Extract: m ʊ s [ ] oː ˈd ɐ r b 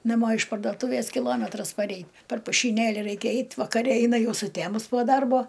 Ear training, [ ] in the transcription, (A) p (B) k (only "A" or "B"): A